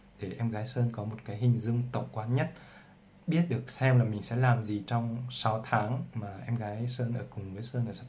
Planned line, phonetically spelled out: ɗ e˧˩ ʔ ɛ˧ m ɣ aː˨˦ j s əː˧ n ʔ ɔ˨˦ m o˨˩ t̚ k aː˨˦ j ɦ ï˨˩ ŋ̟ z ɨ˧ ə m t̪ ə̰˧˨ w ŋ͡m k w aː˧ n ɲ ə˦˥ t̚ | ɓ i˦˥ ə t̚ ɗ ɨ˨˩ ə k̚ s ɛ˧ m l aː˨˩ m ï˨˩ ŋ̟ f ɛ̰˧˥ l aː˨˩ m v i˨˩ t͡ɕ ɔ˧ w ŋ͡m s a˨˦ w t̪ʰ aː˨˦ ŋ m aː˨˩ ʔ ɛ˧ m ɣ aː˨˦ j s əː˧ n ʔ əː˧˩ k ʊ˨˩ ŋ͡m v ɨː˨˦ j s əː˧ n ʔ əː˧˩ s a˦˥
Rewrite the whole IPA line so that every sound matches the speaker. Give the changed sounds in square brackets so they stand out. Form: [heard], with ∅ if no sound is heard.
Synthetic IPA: ɗ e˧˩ ʔ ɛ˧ m ɣ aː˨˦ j s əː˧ n [k] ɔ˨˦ m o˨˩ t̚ k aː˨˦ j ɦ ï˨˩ ŋ̟ z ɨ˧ ə [ŋ] t̪ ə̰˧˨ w ŋ͡m k w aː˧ n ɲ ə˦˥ t̚ | ɓ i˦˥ ə t̚ ɗ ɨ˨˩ ə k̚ s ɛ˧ m l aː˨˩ m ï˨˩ ŋ̟ [s] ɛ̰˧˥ l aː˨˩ m [z] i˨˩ t͡ɕ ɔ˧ w ŋ͡m s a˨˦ w t̪ʰ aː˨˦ ŋ m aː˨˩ ʔ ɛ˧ m ɣ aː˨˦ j s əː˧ n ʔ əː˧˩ k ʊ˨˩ ŋ͡m v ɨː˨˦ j s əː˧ n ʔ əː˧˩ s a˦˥